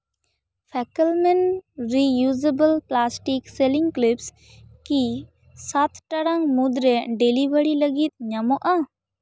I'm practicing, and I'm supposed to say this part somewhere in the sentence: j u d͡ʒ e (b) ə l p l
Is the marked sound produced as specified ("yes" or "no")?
yes